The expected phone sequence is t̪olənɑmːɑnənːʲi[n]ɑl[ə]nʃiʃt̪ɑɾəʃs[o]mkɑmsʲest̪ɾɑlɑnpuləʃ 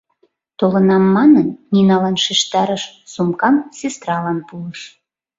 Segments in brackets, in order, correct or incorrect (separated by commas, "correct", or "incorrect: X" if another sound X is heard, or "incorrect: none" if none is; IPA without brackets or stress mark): correct, incorrect: ɑ, incorrect: u